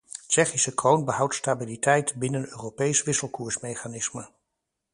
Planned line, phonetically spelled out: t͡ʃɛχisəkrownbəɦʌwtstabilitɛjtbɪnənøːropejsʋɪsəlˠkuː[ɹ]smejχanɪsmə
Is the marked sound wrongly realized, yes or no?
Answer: no